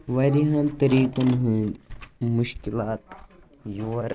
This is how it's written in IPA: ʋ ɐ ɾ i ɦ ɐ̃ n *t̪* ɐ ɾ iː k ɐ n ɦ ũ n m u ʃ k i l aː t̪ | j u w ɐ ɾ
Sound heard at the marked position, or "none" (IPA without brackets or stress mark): t̪